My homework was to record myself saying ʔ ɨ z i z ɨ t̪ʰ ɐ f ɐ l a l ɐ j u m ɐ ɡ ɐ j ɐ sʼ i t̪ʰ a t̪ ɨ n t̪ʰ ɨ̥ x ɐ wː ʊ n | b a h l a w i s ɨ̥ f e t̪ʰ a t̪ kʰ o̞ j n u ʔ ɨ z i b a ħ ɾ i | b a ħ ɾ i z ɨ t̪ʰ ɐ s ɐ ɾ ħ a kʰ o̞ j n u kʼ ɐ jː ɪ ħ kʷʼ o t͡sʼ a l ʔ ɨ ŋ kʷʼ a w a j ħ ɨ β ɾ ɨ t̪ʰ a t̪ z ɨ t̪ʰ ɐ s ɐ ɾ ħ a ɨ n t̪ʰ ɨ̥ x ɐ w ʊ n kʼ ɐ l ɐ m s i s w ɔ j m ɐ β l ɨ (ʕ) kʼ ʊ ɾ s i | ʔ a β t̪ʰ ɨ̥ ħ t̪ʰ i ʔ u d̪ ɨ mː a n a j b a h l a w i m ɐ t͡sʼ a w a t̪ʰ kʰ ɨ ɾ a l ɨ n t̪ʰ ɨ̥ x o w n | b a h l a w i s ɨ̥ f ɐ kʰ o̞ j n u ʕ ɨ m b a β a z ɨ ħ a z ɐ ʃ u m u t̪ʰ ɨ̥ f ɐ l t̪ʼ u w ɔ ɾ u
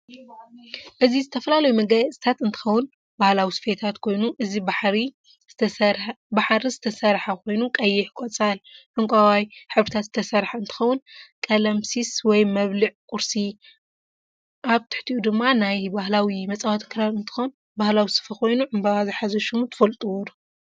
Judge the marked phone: correct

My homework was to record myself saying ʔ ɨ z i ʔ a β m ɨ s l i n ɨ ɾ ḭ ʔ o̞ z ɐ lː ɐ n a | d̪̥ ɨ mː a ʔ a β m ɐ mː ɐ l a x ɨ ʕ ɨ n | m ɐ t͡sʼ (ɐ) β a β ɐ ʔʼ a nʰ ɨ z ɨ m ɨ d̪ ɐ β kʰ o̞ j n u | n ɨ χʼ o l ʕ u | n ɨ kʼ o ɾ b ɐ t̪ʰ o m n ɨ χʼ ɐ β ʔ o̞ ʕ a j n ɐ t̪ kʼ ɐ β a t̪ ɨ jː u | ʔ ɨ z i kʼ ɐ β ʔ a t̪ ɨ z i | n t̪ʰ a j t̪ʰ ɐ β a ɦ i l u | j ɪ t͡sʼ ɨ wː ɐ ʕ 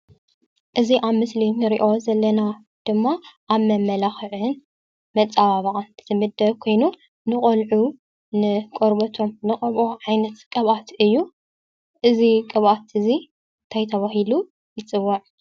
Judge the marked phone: incorrect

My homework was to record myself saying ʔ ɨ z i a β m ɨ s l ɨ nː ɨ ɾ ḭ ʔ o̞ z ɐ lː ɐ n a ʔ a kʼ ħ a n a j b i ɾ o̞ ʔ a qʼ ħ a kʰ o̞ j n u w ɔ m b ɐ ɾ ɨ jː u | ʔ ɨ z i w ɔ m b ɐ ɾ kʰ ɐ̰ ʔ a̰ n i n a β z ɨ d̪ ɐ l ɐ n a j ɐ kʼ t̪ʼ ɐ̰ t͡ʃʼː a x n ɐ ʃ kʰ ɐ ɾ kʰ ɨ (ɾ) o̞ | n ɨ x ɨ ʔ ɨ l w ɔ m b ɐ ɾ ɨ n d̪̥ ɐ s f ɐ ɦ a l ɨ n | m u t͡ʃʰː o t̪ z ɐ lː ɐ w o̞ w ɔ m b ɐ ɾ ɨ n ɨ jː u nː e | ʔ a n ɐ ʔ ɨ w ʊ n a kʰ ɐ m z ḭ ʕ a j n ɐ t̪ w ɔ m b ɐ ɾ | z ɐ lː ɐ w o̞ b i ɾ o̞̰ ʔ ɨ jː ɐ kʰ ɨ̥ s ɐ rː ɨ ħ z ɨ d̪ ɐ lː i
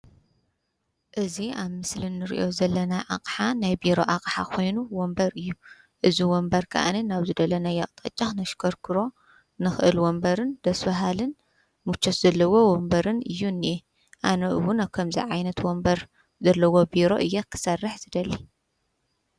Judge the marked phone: correct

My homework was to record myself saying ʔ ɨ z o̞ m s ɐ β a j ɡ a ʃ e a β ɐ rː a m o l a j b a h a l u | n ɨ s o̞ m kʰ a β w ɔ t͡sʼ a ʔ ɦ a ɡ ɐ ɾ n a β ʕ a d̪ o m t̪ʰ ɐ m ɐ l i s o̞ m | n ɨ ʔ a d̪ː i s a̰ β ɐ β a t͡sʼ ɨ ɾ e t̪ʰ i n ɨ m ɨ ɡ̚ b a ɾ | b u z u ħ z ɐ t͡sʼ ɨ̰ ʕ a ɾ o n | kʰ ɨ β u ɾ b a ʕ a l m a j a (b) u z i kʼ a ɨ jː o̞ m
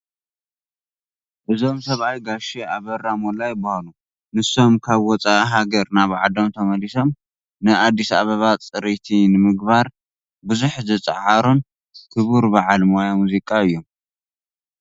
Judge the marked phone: incorrect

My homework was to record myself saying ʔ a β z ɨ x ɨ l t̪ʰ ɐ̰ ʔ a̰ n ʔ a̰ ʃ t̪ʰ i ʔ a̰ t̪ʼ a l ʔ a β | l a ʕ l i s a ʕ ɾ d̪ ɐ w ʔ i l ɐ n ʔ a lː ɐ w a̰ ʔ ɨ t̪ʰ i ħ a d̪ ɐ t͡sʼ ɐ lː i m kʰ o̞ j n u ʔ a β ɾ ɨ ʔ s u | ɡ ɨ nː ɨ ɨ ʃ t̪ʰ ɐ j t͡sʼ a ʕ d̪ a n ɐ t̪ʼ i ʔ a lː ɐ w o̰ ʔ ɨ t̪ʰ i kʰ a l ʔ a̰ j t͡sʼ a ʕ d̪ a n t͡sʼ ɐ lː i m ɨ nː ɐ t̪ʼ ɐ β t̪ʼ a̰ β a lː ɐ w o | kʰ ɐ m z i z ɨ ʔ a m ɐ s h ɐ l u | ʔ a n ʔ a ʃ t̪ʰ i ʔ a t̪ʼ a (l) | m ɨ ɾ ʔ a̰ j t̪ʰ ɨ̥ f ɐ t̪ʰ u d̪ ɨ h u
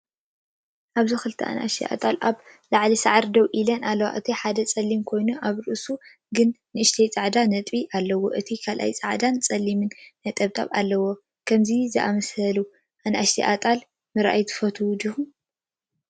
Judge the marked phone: correct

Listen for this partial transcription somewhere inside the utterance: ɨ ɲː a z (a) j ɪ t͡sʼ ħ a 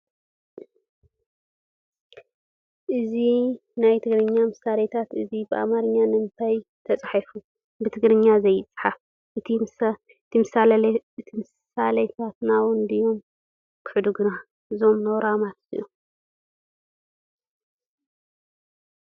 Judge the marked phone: incorrect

